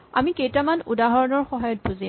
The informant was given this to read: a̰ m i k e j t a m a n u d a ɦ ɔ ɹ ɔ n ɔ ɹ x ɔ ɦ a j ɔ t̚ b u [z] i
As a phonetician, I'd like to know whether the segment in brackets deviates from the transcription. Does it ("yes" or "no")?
no